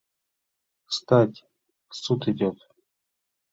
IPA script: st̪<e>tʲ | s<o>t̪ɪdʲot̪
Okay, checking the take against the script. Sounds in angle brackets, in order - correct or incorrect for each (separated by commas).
incorrect, incorrect